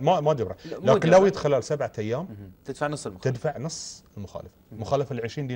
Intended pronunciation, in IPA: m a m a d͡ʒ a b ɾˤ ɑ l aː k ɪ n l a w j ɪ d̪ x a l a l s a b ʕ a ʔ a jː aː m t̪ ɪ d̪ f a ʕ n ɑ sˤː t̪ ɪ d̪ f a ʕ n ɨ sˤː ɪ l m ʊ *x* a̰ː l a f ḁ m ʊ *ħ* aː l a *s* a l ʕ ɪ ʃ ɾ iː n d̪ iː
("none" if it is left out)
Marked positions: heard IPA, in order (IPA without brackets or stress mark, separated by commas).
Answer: x, x, f